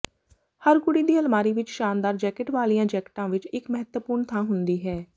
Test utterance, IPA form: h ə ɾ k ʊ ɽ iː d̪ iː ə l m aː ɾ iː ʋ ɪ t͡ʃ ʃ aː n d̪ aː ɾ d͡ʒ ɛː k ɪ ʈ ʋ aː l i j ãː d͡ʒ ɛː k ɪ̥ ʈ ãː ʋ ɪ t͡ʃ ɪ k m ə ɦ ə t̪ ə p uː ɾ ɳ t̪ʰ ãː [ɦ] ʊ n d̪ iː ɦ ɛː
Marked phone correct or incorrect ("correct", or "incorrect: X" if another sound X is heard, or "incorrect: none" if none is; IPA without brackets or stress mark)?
correct